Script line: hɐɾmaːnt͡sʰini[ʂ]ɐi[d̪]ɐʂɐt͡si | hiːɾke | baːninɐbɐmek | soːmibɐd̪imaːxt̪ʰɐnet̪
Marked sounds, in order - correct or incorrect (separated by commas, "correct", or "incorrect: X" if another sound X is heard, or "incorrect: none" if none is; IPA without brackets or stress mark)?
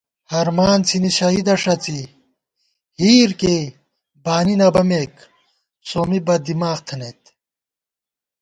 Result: incorrect: ɕ, correct